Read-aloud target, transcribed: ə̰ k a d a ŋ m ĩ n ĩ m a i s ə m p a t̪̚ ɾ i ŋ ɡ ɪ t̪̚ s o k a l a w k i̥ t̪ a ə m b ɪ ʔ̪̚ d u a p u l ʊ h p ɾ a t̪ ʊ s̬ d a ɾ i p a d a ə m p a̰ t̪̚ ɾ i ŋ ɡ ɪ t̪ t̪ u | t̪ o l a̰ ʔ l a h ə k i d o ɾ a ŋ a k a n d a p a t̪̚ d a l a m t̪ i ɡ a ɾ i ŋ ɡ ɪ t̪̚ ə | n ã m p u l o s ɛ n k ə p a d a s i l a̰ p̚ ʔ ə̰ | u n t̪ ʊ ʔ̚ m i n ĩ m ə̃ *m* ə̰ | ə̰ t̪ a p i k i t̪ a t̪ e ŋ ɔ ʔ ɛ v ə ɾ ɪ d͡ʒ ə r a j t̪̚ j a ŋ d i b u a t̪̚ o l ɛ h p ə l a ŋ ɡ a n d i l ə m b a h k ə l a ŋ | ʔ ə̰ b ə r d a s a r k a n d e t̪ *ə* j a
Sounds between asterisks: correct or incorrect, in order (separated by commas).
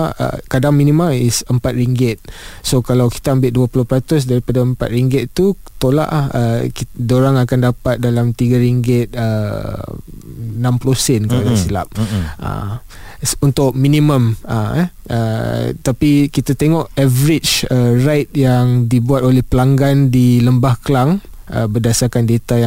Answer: correct, incorrect